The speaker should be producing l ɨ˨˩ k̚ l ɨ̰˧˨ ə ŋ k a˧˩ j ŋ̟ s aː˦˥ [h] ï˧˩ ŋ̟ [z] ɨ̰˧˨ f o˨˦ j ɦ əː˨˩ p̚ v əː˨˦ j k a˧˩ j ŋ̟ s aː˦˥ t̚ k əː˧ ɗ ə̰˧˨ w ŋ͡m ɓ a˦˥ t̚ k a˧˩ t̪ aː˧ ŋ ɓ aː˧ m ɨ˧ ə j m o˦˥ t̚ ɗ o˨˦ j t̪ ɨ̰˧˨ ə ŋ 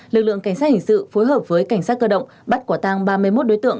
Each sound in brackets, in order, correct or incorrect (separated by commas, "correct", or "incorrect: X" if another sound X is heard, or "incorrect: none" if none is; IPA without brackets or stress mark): correct, incorrect: s